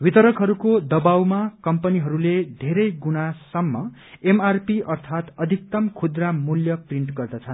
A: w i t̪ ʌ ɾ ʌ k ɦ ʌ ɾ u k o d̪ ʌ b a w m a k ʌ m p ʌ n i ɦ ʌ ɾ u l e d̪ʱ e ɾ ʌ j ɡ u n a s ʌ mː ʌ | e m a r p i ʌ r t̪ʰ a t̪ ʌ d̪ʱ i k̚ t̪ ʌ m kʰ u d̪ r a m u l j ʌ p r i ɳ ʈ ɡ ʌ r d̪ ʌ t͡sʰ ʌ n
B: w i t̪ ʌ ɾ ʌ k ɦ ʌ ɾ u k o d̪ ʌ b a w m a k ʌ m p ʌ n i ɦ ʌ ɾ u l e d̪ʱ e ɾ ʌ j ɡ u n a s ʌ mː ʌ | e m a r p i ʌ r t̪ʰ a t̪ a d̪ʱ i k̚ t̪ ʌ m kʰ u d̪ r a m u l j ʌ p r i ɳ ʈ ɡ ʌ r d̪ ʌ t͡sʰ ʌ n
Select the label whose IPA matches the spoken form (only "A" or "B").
A